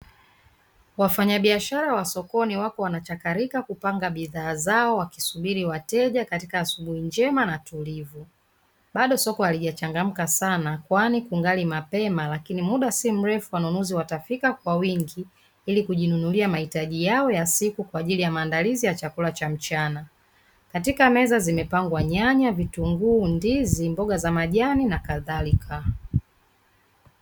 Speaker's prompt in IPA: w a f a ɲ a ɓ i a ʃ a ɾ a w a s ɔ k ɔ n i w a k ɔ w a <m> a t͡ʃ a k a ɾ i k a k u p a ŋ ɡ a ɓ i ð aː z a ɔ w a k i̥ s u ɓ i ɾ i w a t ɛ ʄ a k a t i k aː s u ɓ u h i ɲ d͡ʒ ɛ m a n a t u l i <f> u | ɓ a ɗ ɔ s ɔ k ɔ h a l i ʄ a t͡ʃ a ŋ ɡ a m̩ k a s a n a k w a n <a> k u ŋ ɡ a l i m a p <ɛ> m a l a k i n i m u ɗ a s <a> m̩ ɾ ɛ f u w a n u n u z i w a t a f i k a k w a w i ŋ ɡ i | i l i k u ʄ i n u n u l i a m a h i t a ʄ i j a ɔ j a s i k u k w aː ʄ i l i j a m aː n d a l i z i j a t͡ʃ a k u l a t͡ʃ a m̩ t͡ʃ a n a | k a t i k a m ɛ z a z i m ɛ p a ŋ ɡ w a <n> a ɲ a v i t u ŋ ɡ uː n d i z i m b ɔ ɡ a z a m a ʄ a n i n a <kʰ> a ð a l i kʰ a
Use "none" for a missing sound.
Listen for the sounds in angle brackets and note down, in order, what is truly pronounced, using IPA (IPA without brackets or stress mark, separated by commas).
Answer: n, v, i, ɛ, i, ɲ, k